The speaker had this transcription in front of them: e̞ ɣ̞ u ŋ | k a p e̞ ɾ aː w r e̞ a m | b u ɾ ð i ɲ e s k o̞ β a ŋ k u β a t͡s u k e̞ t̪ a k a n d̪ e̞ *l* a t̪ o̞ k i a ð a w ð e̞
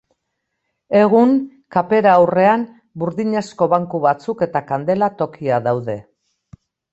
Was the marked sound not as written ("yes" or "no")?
no